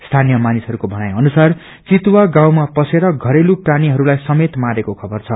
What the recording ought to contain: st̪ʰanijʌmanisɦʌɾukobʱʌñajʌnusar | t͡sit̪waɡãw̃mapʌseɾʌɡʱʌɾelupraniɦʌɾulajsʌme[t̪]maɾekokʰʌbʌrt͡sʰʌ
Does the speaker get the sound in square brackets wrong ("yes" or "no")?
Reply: no